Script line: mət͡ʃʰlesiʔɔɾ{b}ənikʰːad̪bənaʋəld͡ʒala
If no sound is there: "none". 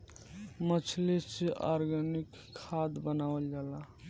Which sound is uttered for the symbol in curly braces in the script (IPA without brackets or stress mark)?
ɡ